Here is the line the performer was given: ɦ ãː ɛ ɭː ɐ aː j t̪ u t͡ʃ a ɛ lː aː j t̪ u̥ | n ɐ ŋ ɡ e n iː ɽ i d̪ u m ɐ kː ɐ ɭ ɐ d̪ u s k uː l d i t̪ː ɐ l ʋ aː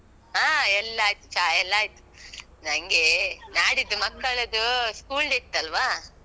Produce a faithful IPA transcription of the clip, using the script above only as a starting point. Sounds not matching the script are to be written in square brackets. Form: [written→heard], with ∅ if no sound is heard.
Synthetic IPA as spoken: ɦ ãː ɛ [ɭː→lː] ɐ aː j t̪ u t͡ʃ a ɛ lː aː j t̪ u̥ | n ɐ ŋ ɡ e n [iː→aː] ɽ i d̪ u m ɐ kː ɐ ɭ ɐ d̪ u s k uː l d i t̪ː ɐ l ʋ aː